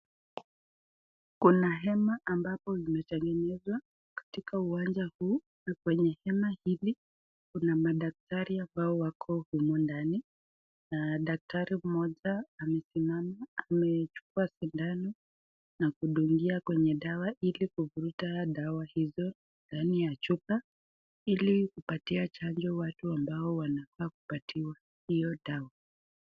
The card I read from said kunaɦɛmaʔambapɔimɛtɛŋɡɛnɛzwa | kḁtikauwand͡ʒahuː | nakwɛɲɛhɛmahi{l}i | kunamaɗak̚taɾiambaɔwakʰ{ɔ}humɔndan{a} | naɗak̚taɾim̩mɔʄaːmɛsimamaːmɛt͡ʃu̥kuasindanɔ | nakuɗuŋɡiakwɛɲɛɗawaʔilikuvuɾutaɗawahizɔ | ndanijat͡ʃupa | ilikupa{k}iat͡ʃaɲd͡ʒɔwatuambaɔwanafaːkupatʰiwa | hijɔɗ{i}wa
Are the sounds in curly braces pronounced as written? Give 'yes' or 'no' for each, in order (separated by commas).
yes, yes, no, no, no